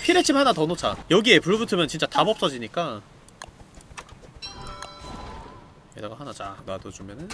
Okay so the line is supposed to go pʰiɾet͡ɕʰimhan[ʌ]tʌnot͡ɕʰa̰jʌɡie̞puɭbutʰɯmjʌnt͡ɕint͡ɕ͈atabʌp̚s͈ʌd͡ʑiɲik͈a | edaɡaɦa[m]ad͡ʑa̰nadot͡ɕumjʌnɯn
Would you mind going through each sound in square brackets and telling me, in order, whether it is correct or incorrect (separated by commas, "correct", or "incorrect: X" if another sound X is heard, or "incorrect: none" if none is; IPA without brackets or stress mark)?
incorrect: a, incorrect: n